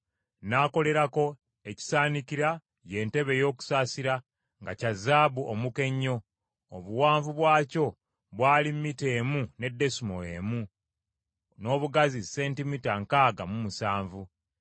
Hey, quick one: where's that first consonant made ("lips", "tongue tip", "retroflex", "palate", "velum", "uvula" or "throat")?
tongue tip